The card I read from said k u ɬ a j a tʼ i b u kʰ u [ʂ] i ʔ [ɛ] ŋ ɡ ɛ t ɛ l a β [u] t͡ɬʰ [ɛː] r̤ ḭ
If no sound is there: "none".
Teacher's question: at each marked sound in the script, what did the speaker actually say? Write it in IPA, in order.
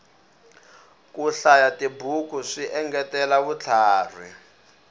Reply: ʂ, ɛ, u, aː

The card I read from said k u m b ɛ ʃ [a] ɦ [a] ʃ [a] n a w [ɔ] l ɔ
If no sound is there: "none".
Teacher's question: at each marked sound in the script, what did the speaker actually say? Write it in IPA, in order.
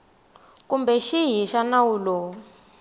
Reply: i, i, a, u

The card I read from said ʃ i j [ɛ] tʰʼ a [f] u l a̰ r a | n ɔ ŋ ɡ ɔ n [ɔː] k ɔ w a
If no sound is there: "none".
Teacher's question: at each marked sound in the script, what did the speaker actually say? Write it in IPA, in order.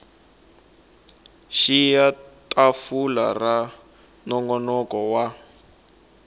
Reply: a, f, ɔ

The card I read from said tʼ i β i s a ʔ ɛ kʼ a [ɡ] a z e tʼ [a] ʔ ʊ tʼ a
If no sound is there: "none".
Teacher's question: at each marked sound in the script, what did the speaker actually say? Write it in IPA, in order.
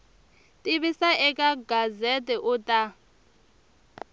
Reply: ɡ, ɛ

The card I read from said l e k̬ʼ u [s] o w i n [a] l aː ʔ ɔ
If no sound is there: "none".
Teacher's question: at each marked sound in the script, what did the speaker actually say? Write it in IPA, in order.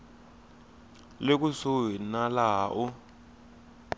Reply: s, a

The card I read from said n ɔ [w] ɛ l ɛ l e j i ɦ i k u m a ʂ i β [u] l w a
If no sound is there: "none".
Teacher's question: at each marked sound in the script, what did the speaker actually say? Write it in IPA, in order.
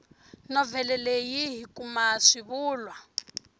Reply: v, uː

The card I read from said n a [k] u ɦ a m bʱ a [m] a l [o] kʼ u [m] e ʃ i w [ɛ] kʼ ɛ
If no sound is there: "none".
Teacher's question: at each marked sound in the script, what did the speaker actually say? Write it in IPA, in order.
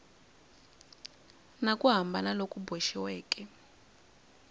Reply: kʼ, n, o, b, ɛː

